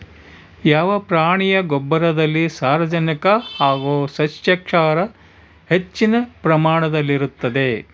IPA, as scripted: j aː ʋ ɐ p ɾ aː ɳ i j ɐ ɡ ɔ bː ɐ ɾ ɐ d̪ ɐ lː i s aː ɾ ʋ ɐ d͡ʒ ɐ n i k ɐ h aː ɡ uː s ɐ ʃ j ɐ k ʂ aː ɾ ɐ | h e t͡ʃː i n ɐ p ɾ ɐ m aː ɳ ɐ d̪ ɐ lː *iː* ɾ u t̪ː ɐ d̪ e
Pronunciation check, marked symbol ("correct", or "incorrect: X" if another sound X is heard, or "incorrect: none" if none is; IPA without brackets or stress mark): incorrect: i